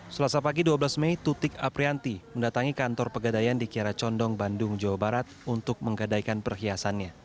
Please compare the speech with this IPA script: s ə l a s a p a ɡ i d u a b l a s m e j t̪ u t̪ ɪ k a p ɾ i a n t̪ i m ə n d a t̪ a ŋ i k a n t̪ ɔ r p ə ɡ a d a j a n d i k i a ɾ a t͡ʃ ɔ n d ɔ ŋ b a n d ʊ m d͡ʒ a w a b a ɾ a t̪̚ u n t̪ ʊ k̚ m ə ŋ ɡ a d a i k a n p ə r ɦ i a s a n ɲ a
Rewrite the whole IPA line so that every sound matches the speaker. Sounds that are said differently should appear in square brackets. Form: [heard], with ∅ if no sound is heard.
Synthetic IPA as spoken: s ə l a s a p a ɡ i d u a b l a s m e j t̪ u t̪ ɪ k a p ɾ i a n t̪ i m ə n d a t̪ a ŋ i k a n t̪ ɔ r p ə ɡ a d a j a n d i k i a ɾ a t͡ʃ ɔ n d ɔ ŋ b a n d ʊ [ŋ] d͡ʒ a w a b a ɾ a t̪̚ u n t̪ ʊ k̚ m ə ŋ ɡ a d a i k a n p ə r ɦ i a s a n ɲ a